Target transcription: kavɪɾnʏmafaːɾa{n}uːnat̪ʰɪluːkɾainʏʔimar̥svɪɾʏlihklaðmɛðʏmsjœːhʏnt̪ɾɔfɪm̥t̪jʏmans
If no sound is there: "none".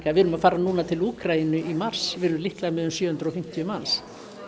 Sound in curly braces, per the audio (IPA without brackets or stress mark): n